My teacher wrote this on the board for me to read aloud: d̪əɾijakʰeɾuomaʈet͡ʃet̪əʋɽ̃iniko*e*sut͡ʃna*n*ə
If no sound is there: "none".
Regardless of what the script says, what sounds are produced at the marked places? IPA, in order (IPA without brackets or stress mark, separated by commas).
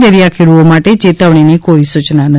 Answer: i, n